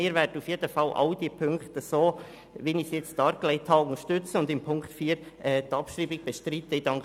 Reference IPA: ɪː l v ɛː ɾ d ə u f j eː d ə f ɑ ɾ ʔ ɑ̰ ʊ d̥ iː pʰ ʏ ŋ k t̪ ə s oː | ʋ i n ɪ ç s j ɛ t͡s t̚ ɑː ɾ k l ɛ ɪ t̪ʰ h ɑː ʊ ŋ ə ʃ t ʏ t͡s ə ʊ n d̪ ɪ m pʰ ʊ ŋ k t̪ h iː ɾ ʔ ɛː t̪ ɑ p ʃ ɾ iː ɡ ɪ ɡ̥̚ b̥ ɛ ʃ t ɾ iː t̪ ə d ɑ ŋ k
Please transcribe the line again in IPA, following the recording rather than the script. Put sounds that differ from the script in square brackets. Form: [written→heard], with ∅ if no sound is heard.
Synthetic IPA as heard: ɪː [l→ɾ] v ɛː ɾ d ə u f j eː d ə f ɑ [ɾ→l] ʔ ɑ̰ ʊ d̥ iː pʰ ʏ ŋ k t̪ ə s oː | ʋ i n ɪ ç s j ɛ t͡s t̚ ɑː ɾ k l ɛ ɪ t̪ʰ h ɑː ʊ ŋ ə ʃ t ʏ t͡s ə ʊ n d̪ ɪ m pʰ ʊ ŋ k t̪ [h→f] iː ɾ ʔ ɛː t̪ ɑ p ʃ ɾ iː [ɡ→b] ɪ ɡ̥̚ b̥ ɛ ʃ t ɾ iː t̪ ə d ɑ ŋ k